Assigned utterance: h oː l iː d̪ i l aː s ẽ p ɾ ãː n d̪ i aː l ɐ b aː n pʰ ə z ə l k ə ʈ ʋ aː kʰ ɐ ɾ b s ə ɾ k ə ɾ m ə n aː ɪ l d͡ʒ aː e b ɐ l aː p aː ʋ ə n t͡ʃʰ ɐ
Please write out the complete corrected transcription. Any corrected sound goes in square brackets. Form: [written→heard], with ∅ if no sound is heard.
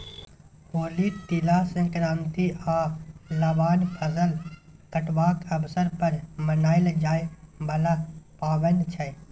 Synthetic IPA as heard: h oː l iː [d̪→t̪] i l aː s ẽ [p→k] ɾ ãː n [d̪→t̪] i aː l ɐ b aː n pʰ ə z ə l k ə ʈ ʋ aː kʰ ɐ [ɾ→∅] b s ə ɾ [k→p] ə ɾ m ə n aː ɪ l d͡ʒ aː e b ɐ l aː p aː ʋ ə n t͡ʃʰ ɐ